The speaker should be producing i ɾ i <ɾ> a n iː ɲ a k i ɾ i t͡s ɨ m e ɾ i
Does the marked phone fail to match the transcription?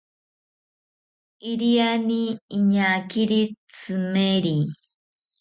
yes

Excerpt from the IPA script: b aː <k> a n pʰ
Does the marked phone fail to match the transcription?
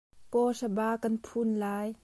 no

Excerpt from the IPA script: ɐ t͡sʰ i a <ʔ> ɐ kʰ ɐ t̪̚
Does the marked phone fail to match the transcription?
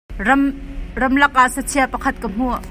yes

